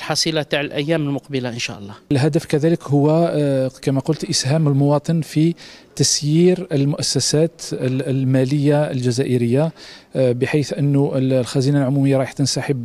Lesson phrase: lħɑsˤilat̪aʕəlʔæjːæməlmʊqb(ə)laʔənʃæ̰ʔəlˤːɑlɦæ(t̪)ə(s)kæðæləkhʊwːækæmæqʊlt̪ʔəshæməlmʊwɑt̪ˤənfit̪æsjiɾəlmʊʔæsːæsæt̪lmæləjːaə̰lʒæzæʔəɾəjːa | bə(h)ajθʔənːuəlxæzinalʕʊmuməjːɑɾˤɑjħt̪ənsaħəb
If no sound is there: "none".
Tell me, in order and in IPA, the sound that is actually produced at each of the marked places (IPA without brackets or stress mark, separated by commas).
ə, d̪, f, ħ